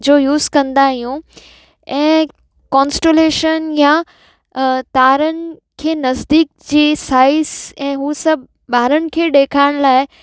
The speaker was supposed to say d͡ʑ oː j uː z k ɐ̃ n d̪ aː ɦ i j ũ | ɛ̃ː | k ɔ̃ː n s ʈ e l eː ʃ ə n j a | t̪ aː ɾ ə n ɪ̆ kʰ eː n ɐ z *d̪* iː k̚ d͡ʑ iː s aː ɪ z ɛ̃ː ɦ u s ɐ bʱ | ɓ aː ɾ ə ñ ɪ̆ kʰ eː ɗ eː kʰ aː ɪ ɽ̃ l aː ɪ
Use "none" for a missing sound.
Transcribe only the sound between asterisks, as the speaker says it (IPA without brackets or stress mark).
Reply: d̪